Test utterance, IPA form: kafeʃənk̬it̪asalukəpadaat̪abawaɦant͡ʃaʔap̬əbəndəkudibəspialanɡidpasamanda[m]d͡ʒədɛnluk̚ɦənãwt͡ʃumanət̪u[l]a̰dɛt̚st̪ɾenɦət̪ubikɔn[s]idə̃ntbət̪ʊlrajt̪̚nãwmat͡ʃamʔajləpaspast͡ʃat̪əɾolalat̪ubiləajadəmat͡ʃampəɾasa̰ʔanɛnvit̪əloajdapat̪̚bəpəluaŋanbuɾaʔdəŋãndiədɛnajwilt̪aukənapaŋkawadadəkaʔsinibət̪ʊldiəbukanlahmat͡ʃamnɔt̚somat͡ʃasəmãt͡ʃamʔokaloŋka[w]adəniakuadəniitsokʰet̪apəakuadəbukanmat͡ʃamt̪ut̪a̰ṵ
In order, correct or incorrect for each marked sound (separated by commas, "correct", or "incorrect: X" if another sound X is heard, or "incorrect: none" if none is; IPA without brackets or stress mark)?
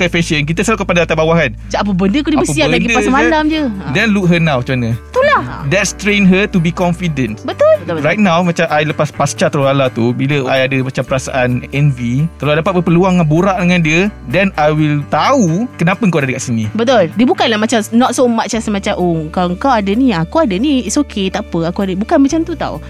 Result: correct, correct, incorrect: f, correct